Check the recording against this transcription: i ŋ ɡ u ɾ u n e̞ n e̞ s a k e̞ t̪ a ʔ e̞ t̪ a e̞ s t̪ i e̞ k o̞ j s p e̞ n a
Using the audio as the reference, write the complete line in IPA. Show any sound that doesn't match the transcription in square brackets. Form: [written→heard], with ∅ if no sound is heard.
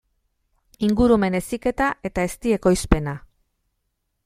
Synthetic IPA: i ŋ ɡ u ɾ u [n→m] e̞ n e̞ s [a→i] k e̞ t̪ a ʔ e̞ t̪ a e̞ s t̪ i e̞ k o̞ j s p e̞ n a